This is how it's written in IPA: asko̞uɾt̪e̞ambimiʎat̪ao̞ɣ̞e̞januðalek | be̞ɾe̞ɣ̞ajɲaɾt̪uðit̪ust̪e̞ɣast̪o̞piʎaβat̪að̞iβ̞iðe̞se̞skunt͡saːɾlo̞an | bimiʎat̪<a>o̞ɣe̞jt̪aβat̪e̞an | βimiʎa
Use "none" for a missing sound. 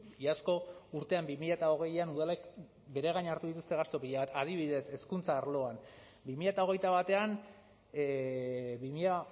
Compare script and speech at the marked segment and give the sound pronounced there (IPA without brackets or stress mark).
a